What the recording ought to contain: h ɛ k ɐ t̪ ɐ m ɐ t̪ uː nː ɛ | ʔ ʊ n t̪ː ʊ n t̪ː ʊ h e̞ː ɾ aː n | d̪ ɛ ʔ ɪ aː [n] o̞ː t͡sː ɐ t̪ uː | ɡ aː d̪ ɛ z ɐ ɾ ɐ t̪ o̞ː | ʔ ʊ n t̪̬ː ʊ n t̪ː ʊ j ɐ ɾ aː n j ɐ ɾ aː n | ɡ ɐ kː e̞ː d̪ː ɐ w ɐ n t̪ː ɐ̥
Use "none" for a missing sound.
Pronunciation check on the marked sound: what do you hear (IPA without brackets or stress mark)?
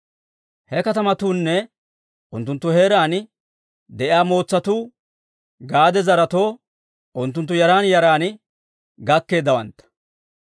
m